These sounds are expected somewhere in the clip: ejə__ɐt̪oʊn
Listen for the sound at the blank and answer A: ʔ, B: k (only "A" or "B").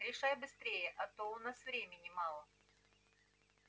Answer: A